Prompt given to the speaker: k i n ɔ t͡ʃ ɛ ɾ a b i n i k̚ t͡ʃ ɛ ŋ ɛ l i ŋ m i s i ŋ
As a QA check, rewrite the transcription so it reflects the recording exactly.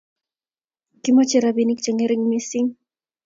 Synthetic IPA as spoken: k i m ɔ t͡ʃ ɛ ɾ a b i n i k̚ t͡ʃ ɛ ŋ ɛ ɾ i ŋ m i s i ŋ